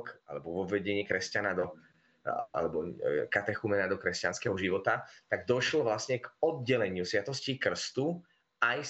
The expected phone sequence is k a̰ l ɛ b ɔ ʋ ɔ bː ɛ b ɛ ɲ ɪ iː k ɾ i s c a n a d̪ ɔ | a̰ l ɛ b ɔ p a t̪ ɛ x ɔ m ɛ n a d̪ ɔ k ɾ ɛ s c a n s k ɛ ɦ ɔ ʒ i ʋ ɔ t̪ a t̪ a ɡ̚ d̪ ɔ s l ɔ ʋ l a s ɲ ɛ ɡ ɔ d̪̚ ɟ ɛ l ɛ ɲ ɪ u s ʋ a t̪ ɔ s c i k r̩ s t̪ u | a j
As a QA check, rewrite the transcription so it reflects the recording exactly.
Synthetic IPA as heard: k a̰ l ɛ b ɔ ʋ ɔ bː ɛ ɟ ɛ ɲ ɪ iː k ɾ ɛ s c a n a d̪ ɔ | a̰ l ɛ b ɔ k a t̪ ɛ x u m ɛ n a d̪ ɔ k ɾ ɛ s c a n s k ɛ ɦ ɔ ʒ i ʋ ɔ t̪ a t̪ a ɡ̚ d̪ ɔ ʃ l ɔ ʋ l a s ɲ ɛ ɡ ɔ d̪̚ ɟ ɛ l ɛ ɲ ɪ u s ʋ a t̪ ɔ s c i k r̩ s t̪ u | a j